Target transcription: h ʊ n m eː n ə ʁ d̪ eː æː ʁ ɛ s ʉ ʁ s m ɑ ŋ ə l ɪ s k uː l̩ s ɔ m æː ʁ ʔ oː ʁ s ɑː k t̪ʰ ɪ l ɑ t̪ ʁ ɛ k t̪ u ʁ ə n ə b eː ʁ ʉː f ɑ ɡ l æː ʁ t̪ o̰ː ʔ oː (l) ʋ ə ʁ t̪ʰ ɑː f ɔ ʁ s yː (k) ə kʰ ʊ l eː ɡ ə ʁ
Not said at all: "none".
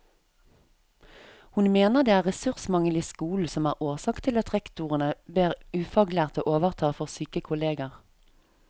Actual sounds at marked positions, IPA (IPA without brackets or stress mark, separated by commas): none, k